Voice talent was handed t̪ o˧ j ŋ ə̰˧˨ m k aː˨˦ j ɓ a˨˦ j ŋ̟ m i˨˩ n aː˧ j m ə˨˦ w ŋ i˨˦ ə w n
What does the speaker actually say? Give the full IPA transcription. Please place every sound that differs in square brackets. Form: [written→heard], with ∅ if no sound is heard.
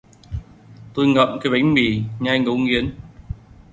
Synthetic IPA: t̪ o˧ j ŋ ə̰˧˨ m k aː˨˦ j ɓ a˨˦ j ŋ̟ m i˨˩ [n→ɲ] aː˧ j [m→ŋ] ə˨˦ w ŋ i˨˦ ə [w→∅] n